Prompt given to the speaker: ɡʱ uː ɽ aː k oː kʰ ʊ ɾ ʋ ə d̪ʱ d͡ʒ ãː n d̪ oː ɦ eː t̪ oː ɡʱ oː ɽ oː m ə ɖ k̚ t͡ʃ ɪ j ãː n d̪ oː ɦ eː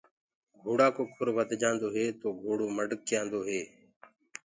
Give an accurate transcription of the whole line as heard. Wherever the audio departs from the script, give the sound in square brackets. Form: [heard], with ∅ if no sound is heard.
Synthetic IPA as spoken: ɡʱ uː ɽ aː k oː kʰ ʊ ɾ ʋ ə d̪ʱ d͡ʒ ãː n d̪ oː ɦ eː t̪ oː ɡʱ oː ɽ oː m ə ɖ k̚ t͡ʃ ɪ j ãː n d̪ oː ɦ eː